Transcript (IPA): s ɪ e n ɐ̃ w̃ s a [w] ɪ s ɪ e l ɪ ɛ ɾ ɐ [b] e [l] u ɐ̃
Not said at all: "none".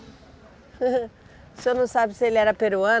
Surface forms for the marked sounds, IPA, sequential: b, p, ɾ

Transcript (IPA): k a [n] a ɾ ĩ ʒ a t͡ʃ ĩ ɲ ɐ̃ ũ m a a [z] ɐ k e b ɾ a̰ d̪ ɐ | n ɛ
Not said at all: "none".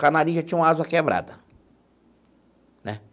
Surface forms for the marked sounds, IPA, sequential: n, z

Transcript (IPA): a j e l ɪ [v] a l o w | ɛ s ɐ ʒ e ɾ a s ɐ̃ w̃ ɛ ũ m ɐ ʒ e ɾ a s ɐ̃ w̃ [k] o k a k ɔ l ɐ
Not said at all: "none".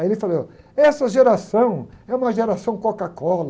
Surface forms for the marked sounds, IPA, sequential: f, k

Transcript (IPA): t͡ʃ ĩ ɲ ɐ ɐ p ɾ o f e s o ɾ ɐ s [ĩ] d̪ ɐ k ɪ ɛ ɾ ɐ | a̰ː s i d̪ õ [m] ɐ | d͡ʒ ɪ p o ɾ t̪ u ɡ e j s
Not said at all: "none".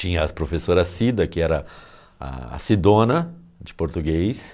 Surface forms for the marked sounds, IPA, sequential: i, n

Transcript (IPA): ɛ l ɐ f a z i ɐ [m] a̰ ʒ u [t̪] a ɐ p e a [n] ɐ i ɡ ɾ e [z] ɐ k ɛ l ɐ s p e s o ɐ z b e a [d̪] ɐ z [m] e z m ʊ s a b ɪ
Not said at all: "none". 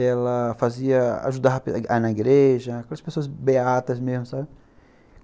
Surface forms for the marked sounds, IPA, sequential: none, d̪, n, ʒ, t̪, m

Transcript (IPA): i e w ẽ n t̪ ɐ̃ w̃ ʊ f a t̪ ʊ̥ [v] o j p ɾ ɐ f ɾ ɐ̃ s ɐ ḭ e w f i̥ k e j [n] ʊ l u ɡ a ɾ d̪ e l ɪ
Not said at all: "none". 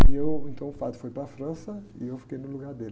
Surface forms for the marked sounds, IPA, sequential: f, n

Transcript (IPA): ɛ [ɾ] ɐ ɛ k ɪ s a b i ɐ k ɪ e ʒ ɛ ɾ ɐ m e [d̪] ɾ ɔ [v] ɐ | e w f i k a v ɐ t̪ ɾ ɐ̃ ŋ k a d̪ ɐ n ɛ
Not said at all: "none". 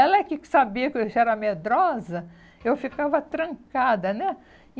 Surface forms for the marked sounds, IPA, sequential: l, d̪, z

